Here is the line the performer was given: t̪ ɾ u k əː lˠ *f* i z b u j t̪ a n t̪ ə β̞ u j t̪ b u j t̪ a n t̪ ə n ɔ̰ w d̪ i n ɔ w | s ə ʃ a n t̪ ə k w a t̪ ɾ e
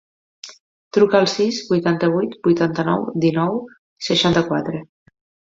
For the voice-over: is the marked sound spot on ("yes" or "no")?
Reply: no